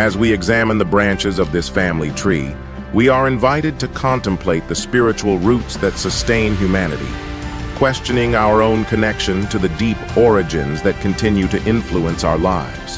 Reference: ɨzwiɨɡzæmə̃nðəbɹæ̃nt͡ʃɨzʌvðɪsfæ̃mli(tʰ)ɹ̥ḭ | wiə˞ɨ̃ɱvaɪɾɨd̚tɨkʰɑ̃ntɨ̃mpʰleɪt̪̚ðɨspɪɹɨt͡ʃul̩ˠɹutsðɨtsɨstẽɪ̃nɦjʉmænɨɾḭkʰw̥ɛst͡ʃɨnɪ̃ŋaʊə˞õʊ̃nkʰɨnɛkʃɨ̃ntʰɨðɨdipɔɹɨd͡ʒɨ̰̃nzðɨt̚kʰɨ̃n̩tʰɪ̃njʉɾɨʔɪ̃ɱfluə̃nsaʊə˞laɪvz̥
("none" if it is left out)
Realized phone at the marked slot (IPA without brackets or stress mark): tʰ